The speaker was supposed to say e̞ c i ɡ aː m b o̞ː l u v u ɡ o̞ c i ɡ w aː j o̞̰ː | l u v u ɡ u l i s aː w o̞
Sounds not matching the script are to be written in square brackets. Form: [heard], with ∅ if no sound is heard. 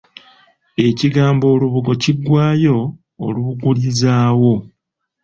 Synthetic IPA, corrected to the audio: e̞ c i ɡ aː m b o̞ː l u [β] u ɡ o̞ c i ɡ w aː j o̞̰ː | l u [β] u ɡ u l i [z] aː w o̞